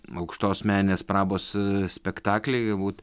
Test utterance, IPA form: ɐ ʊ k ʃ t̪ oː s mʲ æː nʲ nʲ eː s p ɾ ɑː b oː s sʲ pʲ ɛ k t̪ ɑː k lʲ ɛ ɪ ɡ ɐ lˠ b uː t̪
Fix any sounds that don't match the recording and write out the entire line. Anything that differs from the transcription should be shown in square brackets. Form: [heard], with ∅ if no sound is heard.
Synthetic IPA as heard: ɐ ʊ k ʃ t̪ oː s mʲ æː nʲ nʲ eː s p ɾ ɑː b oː s sʲ pʲ ɛ k t̪ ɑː k lʲ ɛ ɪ ɡ ɐ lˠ b uː t̪